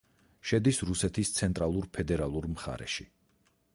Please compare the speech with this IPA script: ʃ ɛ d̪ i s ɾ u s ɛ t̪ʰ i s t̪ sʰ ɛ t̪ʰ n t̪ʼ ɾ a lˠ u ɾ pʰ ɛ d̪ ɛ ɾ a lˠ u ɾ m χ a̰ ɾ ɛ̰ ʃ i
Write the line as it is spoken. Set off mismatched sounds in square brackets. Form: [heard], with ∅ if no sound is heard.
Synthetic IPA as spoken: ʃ ɛ d̪ i s ɾ u s ɛ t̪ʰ i s t̪ sʰ ɛ [∅] n t̪ʼ ɾ a lˠ u ɾ pʰ ɛ d̪ ɛ ɾ a lˠ u ɾ m χ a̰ ɾ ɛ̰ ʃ i